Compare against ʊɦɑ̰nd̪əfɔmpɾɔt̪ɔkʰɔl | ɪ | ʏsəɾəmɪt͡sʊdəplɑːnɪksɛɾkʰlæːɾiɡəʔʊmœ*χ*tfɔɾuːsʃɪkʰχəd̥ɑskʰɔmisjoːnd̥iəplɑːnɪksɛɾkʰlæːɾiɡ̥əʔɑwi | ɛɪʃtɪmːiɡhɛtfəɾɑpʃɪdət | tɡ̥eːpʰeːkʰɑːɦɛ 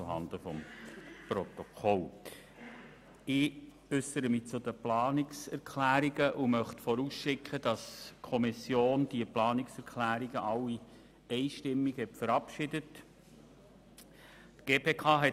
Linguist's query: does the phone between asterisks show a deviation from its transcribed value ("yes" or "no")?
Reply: no